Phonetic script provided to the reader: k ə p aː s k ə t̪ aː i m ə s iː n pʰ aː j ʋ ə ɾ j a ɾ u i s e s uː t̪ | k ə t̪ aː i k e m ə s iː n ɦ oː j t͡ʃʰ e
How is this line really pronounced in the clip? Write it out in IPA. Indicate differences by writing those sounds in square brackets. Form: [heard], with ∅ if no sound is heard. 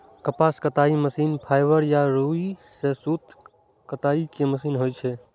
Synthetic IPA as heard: k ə p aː s k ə t̪ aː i m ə s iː n pʰ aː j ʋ ə ɾ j a ɾ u i s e s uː t̪ | k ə t̪ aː i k e m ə s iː n ɦ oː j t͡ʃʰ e